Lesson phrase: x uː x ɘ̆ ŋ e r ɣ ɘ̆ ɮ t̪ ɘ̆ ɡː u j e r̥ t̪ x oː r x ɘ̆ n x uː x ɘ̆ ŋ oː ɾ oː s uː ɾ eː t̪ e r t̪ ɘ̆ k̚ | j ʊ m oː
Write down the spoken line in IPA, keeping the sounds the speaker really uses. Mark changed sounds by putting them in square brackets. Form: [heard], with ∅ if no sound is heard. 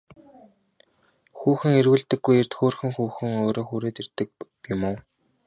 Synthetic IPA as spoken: x uː x ɘ̆ ŋ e r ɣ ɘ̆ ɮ t̪ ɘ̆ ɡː u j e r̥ t̪ x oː r x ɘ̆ [ŋ] x uː x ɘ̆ ŋ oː ɾ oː [x] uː ɾ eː t̪ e r t̪ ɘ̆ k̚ | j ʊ m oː